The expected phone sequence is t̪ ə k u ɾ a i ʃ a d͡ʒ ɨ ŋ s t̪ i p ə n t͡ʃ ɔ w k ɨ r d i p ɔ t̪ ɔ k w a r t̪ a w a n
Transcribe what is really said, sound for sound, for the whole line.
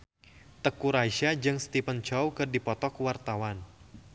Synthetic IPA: t̪ ə k u ɾ a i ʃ a d͡ʒ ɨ ŋ s t̪ i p ə n t͡ʃ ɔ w k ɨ r d i p ɔ t̪ ɔ k w a r t̪ a w a n